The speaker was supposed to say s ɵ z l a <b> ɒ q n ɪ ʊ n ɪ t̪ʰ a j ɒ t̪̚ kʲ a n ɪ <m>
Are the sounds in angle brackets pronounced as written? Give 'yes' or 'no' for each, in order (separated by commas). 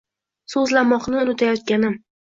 no, yes